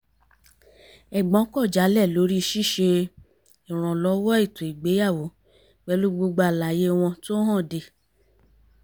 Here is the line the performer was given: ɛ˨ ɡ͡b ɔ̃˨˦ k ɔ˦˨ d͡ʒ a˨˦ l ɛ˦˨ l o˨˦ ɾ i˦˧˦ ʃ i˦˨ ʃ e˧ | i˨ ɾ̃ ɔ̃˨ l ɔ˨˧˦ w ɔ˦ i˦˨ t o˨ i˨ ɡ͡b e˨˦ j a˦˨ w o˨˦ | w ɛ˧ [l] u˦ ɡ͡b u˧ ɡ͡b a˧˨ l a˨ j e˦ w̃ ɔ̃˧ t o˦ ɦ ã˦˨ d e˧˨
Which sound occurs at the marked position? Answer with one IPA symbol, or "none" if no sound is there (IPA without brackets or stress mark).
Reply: l